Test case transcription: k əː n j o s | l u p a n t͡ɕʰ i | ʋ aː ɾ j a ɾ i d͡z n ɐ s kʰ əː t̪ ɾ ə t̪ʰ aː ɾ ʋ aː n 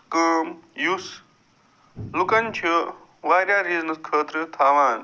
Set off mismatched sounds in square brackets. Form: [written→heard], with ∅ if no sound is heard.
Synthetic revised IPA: k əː [n→m] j [o→u] s | l u [p→k] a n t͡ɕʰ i | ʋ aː ɾ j a ɾ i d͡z n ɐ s kʰ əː t̪ ɾ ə t̪ʰ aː [ɾ→∅] ʋ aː n